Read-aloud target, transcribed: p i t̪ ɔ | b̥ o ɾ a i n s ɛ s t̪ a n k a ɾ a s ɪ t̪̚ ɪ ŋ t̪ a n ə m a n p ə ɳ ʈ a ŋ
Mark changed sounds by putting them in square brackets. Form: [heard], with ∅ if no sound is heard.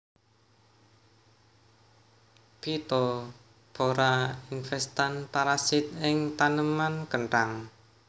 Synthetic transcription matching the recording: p i t̪ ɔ | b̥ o ɾ a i n [f] ɛ s t̪ a n [p] a ɾ a s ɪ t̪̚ ɪ ŋ t̪ a n ə m a n [k] ə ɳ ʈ a ŋ